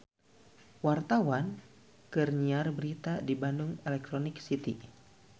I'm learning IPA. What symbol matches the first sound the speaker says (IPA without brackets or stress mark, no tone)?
w